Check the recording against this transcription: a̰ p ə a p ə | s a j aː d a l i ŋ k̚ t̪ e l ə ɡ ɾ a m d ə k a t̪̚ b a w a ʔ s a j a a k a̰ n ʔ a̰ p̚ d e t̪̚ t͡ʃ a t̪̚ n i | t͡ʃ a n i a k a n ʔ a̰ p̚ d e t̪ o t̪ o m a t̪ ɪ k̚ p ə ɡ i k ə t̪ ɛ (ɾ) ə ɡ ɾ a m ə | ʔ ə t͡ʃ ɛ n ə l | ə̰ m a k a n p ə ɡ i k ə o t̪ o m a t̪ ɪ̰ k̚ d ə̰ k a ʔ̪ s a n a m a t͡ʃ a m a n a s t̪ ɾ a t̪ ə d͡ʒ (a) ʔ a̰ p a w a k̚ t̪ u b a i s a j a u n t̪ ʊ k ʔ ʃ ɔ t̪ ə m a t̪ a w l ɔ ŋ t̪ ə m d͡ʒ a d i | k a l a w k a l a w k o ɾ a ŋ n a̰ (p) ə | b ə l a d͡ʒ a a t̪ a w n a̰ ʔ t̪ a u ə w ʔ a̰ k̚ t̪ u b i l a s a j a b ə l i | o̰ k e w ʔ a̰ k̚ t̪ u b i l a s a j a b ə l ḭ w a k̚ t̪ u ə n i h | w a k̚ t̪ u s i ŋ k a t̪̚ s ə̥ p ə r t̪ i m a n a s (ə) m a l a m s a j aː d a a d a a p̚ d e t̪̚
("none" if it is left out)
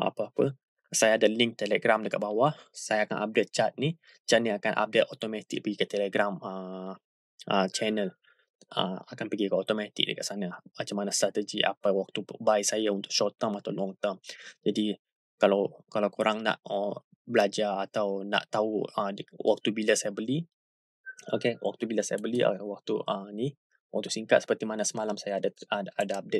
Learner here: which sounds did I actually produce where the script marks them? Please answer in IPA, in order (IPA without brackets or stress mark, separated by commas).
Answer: l, i, ʔ, ə